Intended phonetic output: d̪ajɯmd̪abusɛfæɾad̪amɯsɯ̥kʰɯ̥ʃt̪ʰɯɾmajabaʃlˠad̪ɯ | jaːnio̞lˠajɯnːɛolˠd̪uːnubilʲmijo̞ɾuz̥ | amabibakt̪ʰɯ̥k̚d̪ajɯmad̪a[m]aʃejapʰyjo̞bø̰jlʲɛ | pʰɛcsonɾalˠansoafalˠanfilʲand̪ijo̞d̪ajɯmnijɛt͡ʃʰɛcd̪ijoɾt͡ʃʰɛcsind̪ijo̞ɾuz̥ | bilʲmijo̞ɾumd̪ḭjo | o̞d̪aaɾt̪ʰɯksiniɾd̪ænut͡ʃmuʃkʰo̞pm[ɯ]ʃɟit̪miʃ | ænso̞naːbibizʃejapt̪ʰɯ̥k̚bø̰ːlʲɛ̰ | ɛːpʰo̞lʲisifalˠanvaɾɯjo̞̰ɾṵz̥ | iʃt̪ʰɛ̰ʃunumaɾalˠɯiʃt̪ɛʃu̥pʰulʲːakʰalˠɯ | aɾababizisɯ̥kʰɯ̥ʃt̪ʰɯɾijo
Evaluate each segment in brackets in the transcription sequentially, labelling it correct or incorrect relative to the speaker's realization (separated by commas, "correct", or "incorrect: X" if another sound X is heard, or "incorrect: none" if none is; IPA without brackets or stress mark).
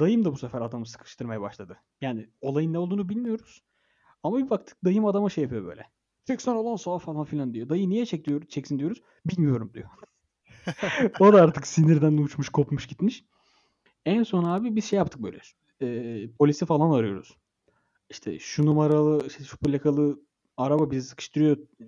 correct, incorrect: u